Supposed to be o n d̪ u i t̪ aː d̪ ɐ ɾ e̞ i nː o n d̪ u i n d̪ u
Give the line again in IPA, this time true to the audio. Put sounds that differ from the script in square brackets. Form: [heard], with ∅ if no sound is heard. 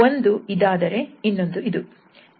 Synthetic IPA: o n d̪ u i [d̪] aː d̪ ɐ ɾ e̞ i nː o n d̪ u i [∅] d̪ u

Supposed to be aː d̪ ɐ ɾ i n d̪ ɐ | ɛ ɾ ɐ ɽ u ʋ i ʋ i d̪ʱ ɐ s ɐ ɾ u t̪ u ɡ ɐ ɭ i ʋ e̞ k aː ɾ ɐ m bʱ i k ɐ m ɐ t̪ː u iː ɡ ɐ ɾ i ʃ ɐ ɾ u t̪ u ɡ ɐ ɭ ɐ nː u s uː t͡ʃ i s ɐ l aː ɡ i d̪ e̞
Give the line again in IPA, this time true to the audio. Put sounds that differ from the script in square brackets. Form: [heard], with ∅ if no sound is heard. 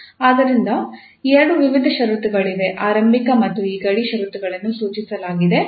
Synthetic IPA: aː d̪ ɐ ɾ i n d̪ ɐ | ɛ ɾ ɐ ɽ u ʋ i ʋ i d̪ʱ ɐ [ʃ] ɐ ɾ u t̪ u ɡ ɐ ɭ i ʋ e̞ [ʔ] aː ɾ ɐ m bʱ i k ɐ m ɐ t̪ː u iː ɡ ɐ [ɽ] i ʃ ɐ ɾ u t̪ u ɡ ɐ ɭ ɐ nː u s uː t͡ʃ i s ɐ l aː ɡ i d̪ e̞

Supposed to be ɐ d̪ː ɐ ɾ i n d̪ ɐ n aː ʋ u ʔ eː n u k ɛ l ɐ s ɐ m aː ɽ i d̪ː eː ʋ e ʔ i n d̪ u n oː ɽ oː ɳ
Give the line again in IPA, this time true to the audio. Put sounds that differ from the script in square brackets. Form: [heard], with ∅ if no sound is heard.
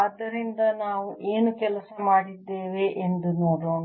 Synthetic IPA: ɐ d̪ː ɐ ɾ i n d̪ ɐ n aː ʋ u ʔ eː n u k ɛ l ɐ s ɐ m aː ɽ i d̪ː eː ʋ e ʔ [e] n d̪ u n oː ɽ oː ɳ

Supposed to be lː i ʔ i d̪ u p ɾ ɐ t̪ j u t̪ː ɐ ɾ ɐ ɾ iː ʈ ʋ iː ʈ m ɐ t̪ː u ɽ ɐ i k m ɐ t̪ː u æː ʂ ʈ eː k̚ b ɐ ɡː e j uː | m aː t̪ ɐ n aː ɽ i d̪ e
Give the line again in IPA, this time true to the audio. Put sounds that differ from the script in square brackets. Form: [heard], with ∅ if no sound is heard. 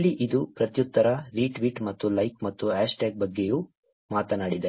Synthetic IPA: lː i ʔ i d̪ u p ɾ ɐ t̪ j u t̪ː ɐ ɾ ɐ ɾ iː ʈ ʋ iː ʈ m ɐ t̪ː u [l] ɐ [j] k m ɐ t̪ː u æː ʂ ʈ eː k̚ b ɐ ɡː e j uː | m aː t̪ ɐ n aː ɽ i d̪ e

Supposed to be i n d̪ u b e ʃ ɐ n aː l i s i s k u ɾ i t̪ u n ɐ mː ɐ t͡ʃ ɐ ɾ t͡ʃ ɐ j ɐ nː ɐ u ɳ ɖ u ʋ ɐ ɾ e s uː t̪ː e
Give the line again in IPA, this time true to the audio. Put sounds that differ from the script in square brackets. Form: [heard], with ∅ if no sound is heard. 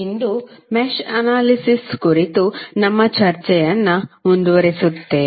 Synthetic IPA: i n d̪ u [m] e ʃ ɐ n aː l i s i s k u ɾ i t̪ u n ɐ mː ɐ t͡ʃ ɐ ɾ t͡ʃ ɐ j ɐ nː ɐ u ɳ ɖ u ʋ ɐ ɾ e s [u] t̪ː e

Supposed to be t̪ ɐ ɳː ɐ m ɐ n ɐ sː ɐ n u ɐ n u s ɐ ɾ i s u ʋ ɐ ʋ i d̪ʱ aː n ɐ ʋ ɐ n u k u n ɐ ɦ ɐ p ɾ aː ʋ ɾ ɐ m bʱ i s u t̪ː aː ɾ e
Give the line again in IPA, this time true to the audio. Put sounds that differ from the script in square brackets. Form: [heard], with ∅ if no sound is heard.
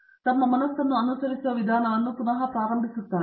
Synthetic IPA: t̪ ɐ [mː] ɐ m ɐ n ɐ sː ɐ [nː] u ɐ n u s ɐ ɾ i s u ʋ ɐ ʋ i d̪ʱ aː n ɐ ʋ ɐ [nː] u k u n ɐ ɦ ɐ p ɾ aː [∅] ɾ ɐ m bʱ i s u t̪ː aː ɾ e

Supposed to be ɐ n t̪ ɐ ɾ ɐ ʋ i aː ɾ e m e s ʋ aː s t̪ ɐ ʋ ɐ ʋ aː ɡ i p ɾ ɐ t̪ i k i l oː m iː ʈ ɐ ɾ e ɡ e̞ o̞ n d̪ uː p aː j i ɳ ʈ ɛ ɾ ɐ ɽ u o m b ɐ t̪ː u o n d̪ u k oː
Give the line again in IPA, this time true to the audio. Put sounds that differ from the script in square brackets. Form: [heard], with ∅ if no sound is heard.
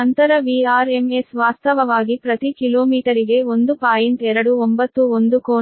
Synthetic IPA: ɐ n t̪ ɐ ɾ ɐ ʋ i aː ɾ e m e s ʋ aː s t̪ ɐ ʋ ɐ ʋ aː ɡ i p ɾ ɐ t̪ i k i l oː m iː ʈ ɐ ɾ [i] ɡ e̞ o̞ n d̪ [u] p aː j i ɳ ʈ ɛ ɾ ɐ ɽ u o m b ɐ t̪ː u o n d̪ u k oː

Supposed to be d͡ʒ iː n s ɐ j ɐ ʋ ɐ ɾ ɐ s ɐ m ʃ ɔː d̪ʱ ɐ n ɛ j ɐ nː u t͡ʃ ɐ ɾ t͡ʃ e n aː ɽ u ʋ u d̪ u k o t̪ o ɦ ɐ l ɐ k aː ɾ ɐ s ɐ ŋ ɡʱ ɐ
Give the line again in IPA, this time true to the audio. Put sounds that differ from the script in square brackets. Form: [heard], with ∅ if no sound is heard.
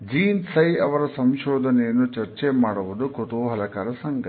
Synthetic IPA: d͡ʒ iː n s ɐ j ɐ ʋ ɐ ɾ ɐ s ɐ m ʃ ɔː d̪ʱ ɐ n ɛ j ɐ nː u t͡ʃ ɐ ɾ t͡ʃ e [m] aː ɽ u ʋ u d̪ u k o t̪ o ɦ ɐ l ɐ k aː ɾ ɐ s ɐ ŋ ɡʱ ɐ

